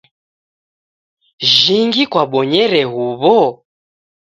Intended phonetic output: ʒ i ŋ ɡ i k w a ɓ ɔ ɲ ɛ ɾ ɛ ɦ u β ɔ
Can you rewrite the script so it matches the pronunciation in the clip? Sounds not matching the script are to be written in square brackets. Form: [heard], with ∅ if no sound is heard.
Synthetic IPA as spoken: ʒ i ŋ ɡ i k w a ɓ ɔ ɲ ɛ ɾ ɛ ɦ u β ɔ